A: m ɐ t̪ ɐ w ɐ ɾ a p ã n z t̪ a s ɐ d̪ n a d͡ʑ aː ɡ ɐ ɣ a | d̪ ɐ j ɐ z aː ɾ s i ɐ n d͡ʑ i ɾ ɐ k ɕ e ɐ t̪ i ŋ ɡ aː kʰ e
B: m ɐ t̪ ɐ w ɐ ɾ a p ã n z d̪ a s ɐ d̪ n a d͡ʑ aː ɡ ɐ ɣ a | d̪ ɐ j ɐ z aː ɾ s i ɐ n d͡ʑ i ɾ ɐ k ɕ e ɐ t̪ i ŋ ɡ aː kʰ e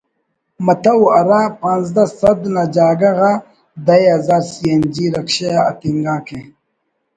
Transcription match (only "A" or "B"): B